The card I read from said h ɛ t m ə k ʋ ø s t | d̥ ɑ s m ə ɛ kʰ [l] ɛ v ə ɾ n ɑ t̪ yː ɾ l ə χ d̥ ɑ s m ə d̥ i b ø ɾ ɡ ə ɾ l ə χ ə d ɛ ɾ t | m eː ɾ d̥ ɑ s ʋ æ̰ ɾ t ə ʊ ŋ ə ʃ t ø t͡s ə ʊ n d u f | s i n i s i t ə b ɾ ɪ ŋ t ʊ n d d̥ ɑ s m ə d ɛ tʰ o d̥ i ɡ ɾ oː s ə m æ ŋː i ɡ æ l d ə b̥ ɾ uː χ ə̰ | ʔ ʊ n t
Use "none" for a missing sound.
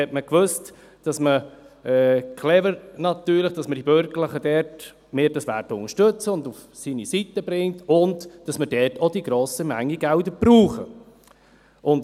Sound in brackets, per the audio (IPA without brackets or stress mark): l